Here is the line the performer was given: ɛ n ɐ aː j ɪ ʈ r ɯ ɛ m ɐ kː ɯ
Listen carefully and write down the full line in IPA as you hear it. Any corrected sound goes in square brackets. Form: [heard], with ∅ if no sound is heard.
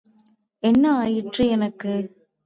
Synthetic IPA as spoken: ɛ [nː] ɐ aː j ɪ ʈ r ɯ ɛ [n] ɐ kː ɯ